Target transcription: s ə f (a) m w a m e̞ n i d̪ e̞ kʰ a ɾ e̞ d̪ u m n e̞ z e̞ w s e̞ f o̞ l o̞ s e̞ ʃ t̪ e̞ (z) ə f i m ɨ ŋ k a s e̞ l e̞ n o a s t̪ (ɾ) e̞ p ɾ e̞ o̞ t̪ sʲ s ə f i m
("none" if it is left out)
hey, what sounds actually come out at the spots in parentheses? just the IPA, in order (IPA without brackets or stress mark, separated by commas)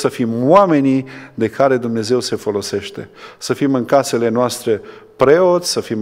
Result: i, s, ɾ